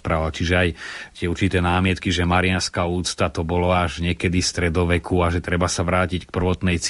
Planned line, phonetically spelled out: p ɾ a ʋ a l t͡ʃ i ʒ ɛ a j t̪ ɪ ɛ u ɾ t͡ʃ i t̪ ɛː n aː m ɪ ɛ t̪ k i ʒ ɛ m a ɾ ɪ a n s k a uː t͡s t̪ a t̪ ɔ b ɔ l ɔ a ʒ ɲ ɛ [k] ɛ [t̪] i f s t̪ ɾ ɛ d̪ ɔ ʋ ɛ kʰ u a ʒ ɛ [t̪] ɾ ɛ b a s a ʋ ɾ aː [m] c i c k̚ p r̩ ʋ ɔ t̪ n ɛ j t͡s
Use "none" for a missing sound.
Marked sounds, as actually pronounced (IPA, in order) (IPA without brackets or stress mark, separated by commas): k, d̪, t̪, none